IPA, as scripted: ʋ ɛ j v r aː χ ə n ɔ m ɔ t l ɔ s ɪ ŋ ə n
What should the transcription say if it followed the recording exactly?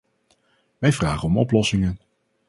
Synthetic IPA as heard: ʋ ɛ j v r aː χ ə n ɔ m ɔ p l ɔ s ɪ ŋ ə n